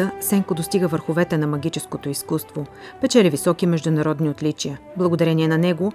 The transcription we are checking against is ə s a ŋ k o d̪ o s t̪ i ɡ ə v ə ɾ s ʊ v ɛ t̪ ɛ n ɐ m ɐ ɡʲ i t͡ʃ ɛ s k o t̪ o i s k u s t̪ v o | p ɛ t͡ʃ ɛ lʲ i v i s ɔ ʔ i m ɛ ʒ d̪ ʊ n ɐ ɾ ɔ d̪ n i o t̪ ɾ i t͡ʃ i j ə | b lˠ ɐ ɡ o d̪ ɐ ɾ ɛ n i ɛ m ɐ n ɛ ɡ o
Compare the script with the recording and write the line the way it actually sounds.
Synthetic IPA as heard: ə s ɛ ŋ k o d̪ o s t̪ i ɡ ə v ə ɾ x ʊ v ɛ t̪ ɛ n ɐ m ɐ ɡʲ i t͡ʃ ɛ s k o t̪ o i s k u s t̪ v o | p ɛ t͡ʃ ɛ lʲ i v i s ɔ k i m ɛ ʒ d̪ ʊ n ɐ ɾ ɔ d̪ n i o t̪ l i t͡ʃ i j ə | b lˠ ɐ ɡ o d̪ ɐ ɾ ɛ n i ɛ n ɐ n ɛ ɡ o